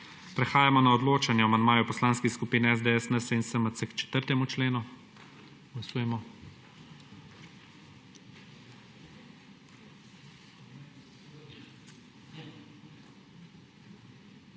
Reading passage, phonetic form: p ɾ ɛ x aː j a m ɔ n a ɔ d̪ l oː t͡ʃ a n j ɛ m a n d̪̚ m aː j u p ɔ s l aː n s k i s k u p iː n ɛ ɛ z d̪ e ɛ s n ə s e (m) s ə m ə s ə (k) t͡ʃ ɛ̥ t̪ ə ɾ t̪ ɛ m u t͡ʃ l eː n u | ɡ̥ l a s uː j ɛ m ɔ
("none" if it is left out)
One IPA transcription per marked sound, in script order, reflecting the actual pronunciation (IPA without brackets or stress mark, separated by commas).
n, k